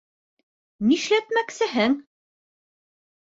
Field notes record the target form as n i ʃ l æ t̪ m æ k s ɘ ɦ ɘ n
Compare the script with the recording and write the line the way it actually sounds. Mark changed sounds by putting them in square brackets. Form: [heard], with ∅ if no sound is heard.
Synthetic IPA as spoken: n i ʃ l æ t̪ m æ k s ɘ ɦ ɘ [ŋ]